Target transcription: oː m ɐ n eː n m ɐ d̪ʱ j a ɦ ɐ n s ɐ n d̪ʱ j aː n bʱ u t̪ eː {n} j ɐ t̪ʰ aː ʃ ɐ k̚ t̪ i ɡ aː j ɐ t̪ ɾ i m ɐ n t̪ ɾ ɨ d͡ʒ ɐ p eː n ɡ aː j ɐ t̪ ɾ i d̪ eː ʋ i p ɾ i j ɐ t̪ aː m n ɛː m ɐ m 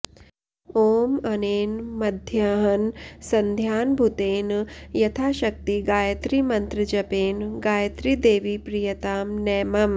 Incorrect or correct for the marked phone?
correct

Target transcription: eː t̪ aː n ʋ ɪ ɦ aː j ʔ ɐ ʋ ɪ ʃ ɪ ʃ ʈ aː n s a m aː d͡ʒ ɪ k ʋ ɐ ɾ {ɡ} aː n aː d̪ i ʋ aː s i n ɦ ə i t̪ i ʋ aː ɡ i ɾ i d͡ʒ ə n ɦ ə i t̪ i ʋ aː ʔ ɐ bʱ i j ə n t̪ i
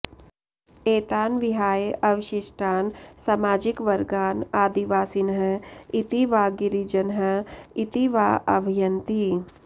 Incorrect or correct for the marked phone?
correct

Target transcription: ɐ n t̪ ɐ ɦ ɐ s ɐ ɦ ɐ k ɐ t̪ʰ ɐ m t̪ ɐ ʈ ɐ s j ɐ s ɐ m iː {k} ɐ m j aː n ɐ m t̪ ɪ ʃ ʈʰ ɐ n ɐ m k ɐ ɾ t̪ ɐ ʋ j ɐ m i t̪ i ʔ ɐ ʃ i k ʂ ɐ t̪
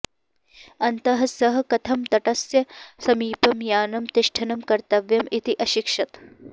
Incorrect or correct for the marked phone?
incorrect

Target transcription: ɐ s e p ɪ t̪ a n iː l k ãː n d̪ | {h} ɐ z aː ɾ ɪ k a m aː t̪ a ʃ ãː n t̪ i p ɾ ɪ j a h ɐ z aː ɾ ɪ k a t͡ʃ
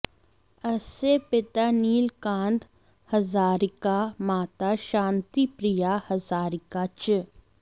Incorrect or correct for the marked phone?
correct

